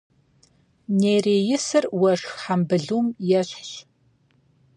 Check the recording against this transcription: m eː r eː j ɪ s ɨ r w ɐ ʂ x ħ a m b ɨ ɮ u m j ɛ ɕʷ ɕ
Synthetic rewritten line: n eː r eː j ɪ s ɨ r w ɐ ʂ x ħ a m b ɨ ɮ u m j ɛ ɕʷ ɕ